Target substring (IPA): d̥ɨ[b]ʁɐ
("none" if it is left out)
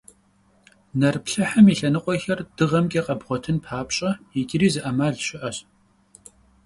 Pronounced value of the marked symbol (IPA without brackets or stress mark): none